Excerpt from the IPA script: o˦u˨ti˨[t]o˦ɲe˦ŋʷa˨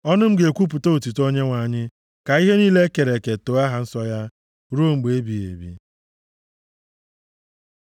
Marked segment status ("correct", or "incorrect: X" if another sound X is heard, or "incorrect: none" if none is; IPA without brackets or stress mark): correct